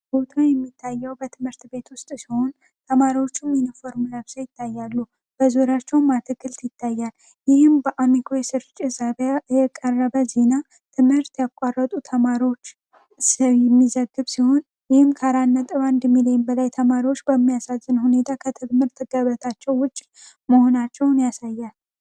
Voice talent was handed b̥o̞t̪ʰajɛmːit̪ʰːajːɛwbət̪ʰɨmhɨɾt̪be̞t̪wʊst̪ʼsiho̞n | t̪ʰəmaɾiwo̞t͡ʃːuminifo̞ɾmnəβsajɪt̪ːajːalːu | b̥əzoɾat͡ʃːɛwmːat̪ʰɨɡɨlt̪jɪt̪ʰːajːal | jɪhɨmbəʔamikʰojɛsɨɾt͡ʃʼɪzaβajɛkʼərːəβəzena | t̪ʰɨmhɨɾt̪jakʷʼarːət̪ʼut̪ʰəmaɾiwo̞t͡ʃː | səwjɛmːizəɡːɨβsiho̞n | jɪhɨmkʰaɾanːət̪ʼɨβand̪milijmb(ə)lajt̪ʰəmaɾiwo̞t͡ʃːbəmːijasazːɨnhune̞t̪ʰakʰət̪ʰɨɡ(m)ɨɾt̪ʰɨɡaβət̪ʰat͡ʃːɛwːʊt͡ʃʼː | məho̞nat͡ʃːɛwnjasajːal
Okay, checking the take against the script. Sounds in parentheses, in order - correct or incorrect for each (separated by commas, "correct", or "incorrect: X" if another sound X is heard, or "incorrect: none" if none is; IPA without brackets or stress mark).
correct, correct